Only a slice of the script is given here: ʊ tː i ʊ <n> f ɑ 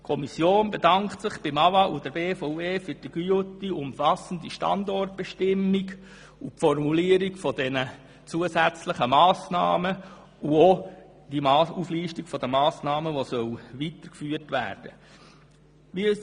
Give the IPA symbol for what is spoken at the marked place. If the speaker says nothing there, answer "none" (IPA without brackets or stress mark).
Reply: m